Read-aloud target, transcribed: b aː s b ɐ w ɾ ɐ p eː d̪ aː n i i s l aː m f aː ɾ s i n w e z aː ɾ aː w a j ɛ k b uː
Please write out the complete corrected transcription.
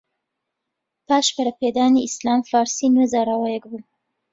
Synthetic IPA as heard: p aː ʃ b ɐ ɾ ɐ p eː d̪ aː n i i s l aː m f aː ɾ s i n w e z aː ɾ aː w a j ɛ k b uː

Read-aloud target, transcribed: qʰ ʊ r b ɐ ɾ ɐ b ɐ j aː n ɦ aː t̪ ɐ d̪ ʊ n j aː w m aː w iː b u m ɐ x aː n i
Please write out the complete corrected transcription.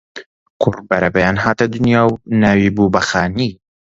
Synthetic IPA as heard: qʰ ʊ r b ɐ ɾ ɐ b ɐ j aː n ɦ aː t̪ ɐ d̪ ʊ n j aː w n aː w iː b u b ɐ x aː n i

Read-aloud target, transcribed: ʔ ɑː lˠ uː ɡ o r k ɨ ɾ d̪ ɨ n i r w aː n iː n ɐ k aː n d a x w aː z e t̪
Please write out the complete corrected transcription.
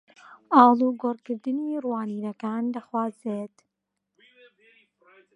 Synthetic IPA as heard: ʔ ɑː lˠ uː ɡ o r k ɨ ɾ d̪ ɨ n i r w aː n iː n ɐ k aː n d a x w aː z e t̪

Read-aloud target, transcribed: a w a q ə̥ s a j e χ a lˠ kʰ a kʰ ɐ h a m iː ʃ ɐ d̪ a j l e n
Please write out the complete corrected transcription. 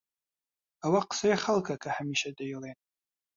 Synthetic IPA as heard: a w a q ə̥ s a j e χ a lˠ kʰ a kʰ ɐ h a m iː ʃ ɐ d̪ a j l e n

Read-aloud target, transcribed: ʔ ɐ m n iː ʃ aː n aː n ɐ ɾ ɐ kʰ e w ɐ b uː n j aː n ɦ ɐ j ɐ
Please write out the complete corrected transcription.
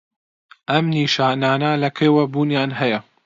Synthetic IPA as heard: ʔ ɐ m n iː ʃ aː n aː n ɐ l ɐ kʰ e w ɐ b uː n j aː n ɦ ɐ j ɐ

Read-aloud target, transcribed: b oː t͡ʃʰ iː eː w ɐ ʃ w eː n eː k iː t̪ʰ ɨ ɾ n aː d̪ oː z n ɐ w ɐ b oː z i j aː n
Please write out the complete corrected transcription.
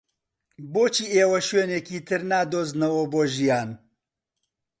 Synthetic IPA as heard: b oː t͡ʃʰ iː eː w ɐ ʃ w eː n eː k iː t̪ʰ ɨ ɾ n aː d̪ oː z n ɐ w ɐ b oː ʒ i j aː n

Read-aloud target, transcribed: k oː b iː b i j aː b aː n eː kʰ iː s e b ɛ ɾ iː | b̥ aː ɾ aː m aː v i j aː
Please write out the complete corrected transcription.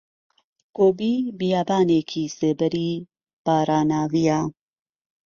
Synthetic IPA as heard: k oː b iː b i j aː b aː n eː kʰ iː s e b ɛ ɾ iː | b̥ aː ɾ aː n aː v i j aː

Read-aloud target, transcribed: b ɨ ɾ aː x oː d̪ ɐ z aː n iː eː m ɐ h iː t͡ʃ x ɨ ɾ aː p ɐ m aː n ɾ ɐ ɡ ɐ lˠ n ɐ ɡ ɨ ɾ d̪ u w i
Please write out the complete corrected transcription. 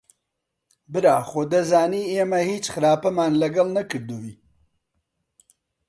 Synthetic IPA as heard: b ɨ ɾ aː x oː d̪ ɐ z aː n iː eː m ɐ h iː t͡ʃ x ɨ ɾ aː p ɐ m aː n l ɐ ɡ ɐ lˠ n ɐ k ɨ ɾ d̪ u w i

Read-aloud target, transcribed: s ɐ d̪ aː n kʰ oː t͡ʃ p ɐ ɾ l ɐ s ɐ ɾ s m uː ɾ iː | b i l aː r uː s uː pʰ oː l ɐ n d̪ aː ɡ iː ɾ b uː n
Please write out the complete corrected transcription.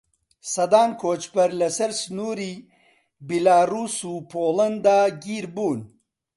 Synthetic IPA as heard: s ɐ d̪ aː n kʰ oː t͡ʃ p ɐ ɾ l ɐ s ɐ ɾ s n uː ɾ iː | b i l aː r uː s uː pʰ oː l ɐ n d̪ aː ɡ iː ɾ b uː n

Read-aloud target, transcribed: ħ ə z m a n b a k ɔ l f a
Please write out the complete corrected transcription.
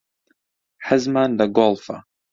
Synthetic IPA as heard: ħ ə z m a n d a ɡ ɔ l f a

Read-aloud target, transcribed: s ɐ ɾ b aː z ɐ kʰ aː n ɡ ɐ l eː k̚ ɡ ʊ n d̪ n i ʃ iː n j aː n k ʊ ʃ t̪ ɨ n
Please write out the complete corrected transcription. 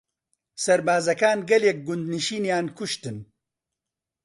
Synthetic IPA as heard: s ɐ ɾ b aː z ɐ k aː n ɡ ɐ l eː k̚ ɡ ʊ n d̪ n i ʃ iː n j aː n k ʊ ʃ t̪ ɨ n

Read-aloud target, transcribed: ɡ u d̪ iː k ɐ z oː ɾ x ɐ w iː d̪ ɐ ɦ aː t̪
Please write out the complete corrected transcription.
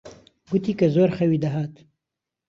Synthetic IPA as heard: ɡ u t̪ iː k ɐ z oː ɾ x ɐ w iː d̪ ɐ ɦ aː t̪

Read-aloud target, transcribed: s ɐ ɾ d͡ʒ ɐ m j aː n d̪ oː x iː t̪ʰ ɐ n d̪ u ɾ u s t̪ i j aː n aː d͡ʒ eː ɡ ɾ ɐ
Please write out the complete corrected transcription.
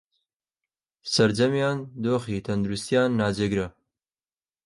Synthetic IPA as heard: s ɐ ɾ d͡ʒ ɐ m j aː n d̪ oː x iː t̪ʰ ɐ n d̪ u ɾ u s t̪ i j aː nː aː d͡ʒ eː ɡ ɾ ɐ

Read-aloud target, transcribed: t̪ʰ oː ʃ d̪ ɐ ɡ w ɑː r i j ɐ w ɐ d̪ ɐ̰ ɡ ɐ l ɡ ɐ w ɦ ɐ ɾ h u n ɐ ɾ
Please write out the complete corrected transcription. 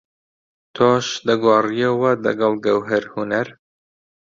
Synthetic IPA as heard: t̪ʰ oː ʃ d̪ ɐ ɡ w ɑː r i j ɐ w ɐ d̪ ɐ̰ ɡ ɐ l ɡ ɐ w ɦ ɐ ɾ h u n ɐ ɾ

